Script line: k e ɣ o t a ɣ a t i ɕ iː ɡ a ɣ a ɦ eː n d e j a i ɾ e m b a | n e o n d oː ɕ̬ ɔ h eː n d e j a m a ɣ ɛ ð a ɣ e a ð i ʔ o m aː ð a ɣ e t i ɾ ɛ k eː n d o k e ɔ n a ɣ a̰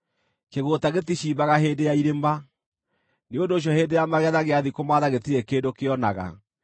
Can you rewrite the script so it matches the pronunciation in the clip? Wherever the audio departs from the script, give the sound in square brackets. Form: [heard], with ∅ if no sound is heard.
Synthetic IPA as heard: k e ɣ o t a ɣ [e] t i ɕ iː [b] a ɣ a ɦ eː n d e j a i ɾ e m b a | n e o n d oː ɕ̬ ɔ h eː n d e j a m a ɣ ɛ ð a ɣ e a ð i [k] o m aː ð a ɣ e t i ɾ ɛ k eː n d o k e ɔ n a ɣ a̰